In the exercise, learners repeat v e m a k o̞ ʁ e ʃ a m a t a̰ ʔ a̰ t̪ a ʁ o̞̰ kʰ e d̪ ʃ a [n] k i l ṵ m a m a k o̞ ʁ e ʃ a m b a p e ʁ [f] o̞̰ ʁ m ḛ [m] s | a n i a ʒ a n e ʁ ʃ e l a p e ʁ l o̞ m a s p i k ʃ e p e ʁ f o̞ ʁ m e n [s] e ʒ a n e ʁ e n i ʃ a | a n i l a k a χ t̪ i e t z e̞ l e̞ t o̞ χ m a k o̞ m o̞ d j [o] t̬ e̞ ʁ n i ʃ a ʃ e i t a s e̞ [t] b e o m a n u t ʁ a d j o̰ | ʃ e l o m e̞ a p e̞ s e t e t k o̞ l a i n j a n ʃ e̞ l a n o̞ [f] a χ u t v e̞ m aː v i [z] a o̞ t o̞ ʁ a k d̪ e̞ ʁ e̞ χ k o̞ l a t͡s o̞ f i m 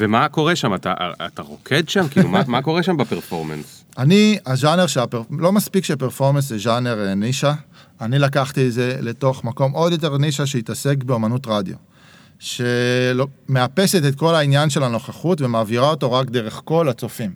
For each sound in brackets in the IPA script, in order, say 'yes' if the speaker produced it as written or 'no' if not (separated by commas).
no, yes, no, yes, yes, no, no, no